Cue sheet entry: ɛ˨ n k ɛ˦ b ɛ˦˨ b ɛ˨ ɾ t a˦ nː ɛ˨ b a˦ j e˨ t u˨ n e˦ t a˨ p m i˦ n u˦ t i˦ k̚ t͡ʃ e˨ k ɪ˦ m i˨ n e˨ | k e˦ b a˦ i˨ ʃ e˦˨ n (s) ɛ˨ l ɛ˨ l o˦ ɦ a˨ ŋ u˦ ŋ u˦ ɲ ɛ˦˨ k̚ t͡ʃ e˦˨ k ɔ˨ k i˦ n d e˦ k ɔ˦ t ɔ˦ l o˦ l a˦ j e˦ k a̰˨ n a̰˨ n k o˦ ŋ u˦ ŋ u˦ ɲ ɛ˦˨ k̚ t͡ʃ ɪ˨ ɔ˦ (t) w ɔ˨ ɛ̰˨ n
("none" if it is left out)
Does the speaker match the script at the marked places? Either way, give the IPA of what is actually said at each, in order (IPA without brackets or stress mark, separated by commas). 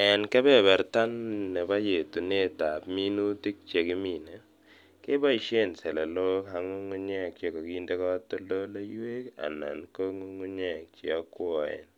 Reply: s, k